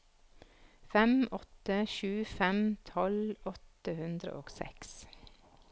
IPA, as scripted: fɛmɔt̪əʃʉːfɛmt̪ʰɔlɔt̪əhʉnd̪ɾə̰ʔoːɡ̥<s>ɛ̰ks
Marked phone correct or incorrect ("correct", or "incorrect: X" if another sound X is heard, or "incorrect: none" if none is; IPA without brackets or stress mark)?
correct